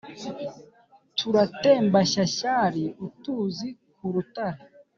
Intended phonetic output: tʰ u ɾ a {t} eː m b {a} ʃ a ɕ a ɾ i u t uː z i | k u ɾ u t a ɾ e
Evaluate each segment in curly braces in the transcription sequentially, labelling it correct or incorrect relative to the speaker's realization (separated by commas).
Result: correct, correct